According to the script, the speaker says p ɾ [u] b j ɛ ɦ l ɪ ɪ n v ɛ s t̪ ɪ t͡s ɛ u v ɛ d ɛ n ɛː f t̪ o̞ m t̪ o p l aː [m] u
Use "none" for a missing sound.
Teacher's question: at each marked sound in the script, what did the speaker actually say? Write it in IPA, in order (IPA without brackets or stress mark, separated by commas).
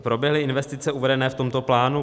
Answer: o, n